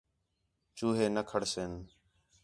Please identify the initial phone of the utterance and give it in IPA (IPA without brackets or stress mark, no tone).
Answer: t͡ʃ